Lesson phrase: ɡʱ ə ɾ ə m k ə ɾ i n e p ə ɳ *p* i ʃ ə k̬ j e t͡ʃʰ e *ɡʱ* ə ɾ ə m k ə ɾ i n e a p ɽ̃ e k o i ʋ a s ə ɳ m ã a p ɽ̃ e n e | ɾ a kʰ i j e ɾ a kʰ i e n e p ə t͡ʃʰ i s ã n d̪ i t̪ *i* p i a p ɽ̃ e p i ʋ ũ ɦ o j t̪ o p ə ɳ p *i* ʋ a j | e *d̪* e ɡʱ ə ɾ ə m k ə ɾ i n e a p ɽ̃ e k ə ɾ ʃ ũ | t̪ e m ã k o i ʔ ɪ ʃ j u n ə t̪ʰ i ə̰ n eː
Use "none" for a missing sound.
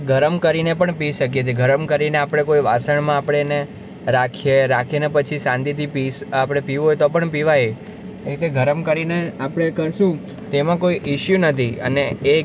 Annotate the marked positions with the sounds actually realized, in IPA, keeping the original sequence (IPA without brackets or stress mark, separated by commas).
p, ɡʱ, i, i, t̪